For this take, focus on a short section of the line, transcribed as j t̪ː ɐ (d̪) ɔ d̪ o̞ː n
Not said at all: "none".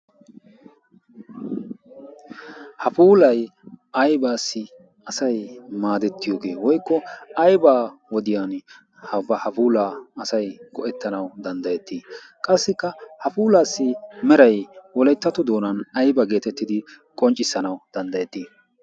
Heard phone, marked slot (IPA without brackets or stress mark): t̪